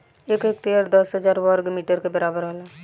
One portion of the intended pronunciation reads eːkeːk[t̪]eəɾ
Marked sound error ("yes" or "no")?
no